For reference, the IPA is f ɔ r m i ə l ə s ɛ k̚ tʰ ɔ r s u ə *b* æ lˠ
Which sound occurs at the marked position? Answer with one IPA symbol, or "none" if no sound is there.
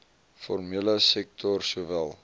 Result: v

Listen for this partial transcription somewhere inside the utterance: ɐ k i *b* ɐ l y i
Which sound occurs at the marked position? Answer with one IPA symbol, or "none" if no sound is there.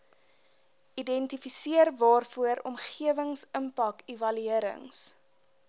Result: v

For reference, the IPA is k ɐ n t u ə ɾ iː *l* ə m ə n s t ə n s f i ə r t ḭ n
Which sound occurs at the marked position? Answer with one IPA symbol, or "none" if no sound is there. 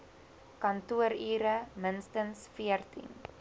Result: ɾ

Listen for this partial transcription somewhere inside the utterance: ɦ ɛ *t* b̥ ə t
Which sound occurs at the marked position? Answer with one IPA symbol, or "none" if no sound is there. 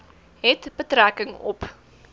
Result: t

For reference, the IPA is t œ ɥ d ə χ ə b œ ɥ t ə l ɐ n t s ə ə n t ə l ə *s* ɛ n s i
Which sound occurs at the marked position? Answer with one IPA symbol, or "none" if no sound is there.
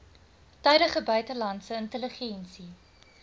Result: χ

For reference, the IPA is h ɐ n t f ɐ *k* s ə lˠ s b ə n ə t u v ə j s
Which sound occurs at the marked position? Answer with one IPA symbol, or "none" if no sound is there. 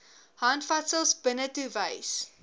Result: t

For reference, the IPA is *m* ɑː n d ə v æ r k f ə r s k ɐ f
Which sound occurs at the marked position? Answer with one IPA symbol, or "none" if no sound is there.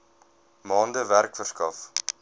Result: m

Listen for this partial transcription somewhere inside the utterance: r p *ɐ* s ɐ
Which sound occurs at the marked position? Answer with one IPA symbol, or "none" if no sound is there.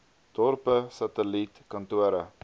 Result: ə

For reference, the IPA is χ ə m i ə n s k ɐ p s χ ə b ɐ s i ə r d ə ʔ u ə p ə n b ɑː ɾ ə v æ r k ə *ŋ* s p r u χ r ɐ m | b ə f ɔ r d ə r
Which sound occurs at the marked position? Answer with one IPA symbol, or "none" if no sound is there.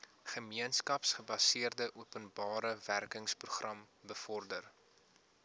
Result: ŋ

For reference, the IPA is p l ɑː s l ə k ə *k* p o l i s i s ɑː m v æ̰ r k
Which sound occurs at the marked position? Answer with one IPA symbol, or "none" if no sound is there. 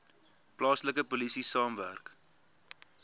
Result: none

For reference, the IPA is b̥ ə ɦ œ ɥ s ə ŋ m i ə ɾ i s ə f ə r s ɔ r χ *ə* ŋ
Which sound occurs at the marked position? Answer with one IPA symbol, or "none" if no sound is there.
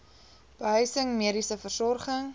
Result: ə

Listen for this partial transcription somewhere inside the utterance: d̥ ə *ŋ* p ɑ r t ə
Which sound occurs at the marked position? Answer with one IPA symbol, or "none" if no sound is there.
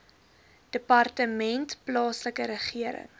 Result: none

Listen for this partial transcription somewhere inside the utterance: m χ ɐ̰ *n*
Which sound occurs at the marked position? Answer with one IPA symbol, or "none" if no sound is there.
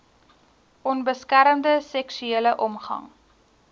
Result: ŋ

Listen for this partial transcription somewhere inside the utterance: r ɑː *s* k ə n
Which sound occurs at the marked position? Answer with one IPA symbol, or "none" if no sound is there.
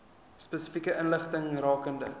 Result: none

